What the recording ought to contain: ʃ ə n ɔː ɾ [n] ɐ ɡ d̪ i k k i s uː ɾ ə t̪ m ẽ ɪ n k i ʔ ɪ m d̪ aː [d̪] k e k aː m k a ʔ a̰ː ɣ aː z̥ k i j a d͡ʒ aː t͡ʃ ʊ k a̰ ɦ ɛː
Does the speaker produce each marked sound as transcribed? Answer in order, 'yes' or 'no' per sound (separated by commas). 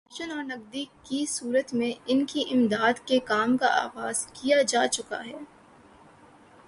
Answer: yes, yes